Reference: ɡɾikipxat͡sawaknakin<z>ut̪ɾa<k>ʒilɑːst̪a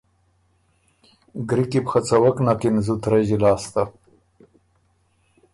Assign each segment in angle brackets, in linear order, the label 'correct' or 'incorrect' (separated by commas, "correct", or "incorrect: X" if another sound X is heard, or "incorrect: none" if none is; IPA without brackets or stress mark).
correct, incorrect: none